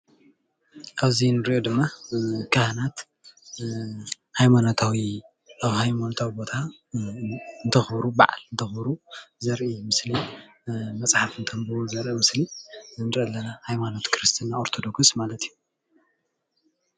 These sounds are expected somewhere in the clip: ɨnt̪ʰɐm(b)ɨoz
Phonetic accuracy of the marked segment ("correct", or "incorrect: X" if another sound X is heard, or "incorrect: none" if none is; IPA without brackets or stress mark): correct